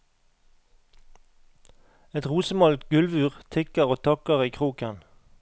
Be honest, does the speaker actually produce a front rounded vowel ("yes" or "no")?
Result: no